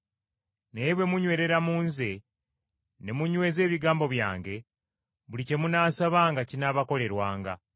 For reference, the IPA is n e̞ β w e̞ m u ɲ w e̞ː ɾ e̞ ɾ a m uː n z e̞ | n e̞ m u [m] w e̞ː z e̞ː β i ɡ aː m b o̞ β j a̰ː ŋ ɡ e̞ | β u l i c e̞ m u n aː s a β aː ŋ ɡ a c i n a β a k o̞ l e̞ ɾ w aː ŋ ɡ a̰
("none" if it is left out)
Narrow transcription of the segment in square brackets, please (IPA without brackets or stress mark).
ɲ